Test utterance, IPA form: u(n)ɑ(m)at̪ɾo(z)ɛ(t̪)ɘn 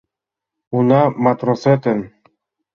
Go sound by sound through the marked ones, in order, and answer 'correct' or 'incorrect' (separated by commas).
correct, correct, incorrect, correct